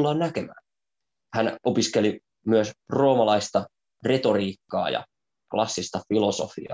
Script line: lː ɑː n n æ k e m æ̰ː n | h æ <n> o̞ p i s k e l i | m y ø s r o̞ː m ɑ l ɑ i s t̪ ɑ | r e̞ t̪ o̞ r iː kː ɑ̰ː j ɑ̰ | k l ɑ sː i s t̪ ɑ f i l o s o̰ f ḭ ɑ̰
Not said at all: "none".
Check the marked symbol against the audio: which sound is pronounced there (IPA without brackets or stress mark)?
n